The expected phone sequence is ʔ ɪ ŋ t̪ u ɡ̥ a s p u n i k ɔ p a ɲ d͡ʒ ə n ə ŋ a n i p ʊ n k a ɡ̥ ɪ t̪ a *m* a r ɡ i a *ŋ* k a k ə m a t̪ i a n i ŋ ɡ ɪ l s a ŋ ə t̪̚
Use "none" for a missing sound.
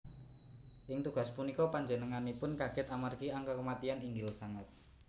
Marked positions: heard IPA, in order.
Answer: m, ŋ

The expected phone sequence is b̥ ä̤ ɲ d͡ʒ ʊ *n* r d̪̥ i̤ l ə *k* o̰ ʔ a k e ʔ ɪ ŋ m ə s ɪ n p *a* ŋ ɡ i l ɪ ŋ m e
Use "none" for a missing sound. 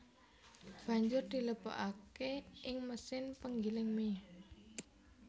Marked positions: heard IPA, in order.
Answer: none, p, ə

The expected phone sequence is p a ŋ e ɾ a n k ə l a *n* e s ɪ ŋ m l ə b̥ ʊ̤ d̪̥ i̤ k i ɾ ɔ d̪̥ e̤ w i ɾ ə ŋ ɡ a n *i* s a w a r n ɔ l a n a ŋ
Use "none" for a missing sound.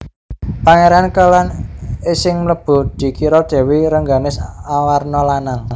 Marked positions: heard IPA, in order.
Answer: n, ɪ

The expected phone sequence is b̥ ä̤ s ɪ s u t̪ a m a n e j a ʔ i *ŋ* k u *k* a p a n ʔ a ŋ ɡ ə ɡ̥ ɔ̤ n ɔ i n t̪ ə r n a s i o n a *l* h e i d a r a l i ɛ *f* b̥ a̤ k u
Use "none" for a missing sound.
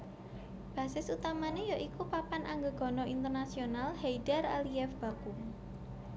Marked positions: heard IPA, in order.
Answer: none, p, l, f

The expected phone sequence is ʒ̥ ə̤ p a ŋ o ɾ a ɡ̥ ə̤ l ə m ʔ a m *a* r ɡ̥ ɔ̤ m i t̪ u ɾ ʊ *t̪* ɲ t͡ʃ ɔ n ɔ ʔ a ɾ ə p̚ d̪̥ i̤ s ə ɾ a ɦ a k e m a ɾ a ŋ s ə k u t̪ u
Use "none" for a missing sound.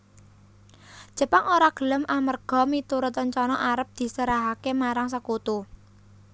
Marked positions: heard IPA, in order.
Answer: ə, t̪

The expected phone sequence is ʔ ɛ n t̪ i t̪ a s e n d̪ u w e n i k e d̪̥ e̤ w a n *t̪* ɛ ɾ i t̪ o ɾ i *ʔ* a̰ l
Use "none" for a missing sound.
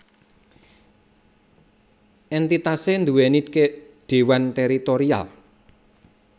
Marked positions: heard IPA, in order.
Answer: t̪, none

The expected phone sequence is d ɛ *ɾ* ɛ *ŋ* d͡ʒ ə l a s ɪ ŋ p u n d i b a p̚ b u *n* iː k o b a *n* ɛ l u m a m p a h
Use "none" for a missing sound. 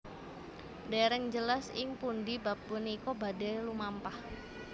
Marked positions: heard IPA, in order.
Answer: ɾ, ŋ, n, d

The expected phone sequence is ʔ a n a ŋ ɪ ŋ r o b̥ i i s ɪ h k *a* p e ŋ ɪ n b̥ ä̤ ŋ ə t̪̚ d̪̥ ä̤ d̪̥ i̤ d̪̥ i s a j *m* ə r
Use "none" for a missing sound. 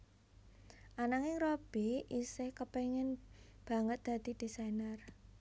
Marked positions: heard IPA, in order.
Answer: ə, n

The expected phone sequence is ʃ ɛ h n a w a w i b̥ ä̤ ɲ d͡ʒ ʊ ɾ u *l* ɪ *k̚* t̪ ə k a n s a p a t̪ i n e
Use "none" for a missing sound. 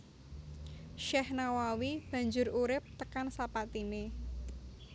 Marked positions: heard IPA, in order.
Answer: ɾ, p̚

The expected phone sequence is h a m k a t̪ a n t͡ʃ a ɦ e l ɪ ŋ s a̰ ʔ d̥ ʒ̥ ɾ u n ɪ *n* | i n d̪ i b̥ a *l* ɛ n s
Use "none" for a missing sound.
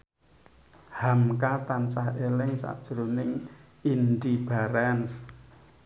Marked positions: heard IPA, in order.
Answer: ŋ, ɾ

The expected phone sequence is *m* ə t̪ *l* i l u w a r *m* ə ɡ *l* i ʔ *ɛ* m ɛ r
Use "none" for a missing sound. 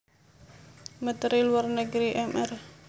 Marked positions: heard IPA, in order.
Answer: m, ɾ, n, ɾ, ɛ

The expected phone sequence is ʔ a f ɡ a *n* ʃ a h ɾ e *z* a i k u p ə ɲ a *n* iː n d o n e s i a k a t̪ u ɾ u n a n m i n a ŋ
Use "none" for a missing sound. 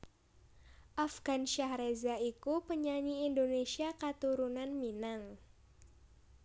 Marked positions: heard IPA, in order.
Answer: n, z, ɲ

